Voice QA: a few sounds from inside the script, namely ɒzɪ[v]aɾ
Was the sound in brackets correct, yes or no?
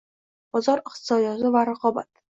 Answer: yes